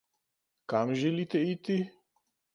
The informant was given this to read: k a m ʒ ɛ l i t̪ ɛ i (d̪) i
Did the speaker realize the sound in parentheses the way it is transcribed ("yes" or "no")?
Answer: no